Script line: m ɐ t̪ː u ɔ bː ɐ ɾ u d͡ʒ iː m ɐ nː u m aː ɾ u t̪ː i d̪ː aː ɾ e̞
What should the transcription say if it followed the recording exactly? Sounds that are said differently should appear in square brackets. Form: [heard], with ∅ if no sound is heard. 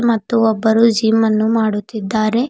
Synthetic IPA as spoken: m ɐ t̪ː u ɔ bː ɐ ɾ u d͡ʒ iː m ɐ nː u m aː [ɽ] u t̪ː i d̪ː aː ɾ e̞